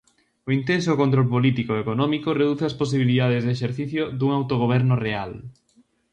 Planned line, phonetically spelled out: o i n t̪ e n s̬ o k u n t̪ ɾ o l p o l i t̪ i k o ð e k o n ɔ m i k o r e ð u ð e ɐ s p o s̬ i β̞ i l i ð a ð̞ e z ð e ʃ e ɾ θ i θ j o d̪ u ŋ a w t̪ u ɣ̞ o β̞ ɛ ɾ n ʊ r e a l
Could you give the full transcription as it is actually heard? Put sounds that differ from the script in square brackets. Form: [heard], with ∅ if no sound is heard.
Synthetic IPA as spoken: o i n t̪ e n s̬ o k [o] n t̪ ɾ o l p o l i t̪ i k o [∅] e k o n ɔ m i k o r e ð u [θ] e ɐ s p o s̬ i β̞ i l i ð a ð̞ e z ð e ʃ e ɾ θ i θ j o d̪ u ŋ a w t̪ [o] ɣ̞ o β̞ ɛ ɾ n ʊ r e a l